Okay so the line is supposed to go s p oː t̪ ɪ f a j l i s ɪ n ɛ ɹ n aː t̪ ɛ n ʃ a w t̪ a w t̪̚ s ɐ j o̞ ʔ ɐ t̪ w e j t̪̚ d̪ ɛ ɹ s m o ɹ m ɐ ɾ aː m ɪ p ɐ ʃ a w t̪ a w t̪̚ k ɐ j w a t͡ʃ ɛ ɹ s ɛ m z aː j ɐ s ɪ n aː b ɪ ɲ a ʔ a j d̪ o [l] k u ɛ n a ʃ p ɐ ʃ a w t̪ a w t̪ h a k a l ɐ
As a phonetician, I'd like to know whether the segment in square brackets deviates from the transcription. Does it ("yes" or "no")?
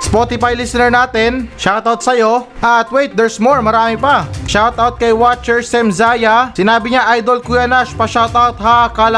no